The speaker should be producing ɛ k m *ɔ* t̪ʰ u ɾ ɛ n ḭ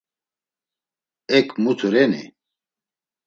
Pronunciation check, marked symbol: incorrect: u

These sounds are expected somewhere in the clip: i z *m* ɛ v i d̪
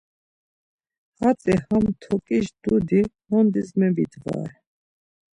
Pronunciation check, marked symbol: correct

